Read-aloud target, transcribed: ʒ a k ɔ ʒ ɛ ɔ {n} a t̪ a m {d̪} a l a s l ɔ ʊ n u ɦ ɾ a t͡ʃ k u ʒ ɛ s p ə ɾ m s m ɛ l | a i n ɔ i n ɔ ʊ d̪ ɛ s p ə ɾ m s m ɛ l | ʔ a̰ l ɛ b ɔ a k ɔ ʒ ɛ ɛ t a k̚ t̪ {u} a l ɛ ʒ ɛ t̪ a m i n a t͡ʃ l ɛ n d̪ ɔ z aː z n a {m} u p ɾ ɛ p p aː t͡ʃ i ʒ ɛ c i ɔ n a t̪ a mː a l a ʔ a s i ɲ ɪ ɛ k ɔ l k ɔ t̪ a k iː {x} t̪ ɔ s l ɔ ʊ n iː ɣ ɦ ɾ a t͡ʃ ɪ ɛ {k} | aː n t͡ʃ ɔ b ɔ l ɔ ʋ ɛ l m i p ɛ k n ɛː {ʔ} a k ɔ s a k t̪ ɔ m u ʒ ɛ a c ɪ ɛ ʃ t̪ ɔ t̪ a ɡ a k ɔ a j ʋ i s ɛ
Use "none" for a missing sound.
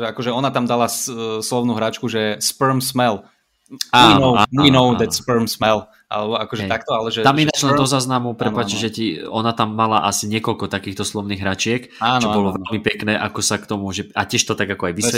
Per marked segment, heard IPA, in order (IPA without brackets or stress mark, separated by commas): n, d̪, ɔ, m, x, k, ʔ